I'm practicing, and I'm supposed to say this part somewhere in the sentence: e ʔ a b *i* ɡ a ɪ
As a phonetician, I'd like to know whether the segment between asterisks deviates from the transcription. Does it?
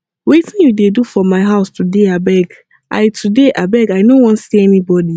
yes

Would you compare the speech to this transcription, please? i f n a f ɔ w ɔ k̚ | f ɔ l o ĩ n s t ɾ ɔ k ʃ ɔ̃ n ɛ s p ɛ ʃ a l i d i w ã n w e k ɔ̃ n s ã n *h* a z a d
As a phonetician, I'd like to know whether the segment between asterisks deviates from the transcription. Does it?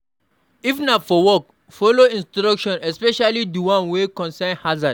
no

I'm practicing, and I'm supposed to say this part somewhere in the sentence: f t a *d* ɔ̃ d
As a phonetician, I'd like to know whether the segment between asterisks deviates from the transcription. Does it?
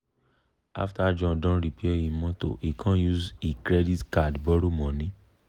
yes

